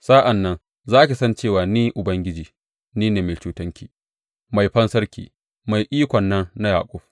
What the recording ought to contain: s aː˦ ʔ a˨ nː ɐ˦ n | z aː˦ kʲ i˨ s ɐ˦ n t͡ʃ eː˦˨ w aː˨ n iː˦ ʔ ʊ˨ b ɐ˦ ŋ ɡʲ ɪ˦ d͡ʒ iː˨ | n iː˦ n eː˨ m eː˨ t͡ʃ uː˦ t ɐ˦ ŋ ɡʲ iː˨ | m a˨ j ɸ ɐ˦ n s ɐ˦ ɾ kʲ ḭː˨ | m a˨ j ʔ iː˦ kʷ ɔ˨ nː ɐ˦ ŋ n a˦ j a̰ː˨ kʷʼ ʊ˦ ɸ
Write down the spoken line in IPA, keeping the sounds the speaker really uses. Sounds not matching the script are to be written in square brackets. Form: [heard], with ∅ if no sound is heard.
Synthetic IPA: s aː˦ ʔ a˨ nː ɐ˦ n | z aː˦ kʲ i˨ s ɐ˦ n t͡ʃ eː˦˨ w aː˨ n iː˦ ʔ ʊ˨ b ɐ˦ ŋ ɡʲ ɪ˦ d͡ʒ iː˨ | n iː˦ n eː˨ m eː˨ t͡ʃ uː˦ t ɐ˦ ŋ [kʲ] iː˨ | m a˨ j ɸ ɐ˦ n s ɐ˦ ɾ kʲ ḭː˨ | m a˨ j ʔ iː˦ kʷ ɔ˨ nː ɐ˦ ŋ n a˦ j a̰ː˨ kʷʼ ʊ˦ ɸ